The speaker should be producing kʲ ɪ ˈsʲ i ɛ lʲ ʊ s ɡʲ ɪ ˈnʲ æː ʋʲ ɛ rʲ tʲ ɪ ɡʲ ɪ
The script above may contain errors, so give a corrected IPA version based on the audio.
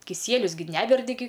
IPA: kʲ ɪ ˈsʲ i ɛ lʲ ʊ s ɡʲ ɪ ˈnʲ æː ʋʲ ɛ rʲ dʲ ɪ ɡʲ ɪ